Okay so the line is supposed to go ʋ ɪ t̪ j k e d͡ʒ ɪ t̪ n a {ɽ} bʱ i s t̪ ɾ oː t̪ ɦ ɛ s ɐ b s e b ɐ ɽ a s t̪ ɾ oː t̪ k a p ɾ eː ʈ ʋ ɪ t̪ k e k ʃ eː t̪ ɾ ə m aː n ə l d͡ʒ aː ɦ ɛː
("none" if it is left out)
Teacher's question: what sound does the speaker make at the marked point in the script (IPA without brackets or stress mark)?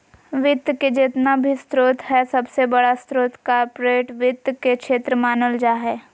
none